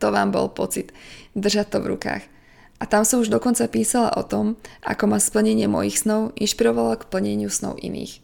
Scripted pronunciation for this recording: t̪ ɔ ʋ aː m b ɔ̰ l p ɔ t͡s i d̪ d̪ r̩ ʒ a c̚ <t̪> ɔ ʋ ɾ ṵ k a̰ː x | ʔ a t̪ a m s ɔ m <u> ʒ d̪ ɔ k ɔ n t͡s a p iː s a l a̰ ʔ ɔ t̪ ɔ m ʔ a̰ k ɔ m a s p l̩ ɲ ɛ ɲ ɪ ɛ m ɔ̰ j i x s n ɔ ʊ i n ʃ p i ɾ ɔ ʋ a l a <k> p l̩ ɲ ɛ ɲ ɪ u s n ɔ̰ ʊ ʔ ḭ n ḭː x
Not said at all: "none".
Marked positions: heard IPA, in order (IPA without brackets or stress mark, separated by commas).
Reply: t̪, u, k